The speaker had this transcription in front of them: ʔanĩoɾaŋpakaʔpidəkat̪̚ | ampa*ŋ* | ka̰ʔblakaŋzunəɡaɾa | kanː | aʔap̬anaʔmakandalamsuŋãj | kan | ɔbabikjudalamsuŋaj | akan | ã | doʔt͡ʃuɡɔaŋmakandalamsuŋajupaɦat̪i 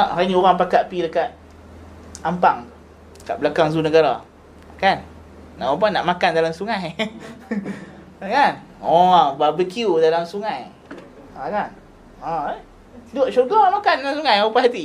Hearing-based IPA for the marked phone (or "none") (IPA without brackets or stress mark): ŋ